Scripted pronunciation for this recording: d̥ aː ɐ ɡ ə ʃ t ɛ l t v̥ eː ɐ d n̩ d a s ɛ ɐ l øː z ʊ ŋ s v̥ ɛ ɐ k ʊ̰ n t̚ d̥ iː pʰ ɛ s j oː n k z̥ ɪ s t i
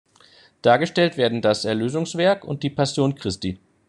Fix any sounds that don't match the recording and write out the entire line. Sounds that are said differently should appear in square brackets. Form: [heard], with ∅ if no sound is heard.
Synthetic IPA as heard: d̥ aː ɐ ɡ ə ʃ t ɛ l t v̥ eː ɐ d n̩ d a s ɛ ɐ l øː z ʊ ŋ s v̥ ɛ ɐ k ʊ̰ n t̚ d̥ iː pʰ [a] s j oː n k [ʁ̥] ɪ s t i